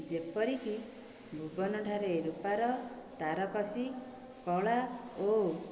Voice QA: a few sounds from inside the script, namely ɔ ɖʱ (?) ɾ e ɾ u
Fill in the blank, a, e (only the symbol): a